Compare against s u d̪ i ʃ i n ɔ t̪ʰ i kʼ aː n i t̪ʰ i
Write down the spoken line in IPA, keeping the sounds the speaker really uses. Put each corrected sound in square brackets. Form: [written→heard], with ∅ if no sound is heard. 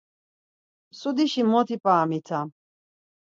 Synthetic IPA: s u d̪ i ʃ i [n→m] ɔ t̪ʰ i [kʼ→pʼ] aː [n→m] i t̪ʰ [i→a]